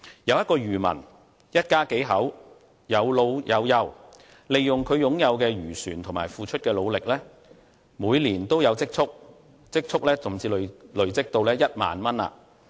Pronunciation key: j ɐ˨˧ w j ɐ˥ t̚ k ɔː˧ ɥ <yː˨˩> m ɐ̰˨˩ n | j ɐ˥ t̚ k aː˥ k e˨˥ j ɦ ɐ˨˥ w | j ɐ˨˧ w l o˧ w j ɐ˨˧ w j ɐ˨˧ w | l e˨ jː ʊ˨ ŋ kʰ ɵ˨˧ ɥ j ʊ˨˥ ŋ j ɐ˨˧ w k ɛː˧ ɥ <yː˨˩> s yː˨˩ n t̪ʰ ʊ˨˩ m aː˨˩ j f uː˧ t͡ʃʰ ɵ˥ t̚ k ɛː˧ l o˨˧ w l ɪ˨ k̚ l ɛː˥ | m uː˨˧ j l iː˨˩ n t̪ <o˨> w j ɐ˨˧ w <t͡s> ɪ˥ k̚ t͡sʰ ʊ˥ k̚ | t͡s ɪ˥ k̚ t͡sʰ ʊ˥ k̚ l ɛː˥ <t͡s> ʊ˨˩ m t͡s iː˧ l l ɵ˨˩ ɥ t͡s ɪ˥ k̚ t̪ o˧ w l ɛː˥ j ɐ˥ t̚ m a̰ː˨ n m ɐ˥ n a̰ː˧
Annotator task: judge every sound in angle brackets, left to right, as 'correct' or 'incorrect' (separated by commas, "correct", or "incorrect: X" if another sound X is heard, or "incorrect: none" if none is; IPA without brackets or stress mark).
correct, correct, incorrect: o˥, correct, correct